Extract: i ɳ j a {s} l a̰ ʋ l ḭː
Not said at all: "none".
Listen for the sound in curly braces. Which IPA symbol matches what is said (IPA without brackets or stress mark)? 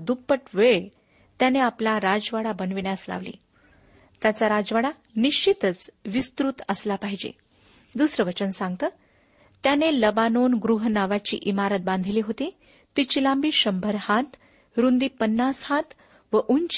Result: s